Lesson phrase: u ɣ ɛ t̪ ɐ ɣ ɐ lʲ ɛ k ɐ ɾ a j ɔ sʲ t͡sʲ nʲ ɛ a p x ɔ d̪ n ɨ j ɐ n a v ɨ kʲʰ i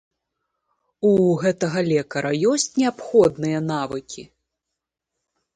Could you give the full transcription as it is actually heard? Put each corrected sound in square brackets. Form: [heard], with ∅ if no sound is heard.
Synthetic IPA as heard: u ɣ ɛ t̪ ɐ ɣ ɐ lʲ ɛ k ɐ ɾ [ɐ] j ɔ sʲ t͡sʲ nʲ ɛ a p x ɔ d̪ n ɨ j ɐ n a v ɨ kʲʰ i